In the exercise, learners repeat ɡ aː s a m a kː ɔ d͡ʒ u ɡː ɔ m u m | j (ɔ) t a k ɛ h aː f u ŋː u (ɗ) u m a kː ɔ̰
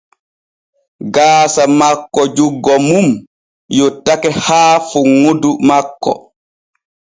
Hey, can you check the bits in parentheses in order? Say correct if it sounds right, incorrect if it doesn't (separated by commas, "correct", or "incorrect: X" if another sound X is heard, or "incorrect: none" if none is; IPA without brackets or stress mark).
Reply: correct, incorrect: d